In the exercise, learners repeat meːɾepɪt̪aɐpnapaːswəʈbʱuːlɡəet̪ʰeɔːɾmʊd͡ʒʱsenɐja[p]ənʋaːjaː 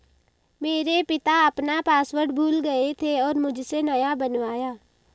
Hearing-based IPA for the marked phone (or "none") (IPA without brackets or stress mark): b